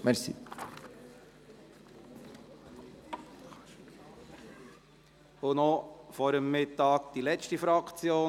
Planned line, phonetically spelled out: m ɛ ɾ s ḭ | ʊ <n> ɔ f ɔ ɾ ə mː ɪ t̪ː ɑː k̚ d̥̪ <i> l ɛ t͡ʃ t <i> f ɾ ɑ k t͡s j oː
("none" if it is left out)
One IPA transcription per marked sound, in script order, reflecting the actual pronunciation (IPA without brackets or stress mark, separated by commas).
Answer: n, i, i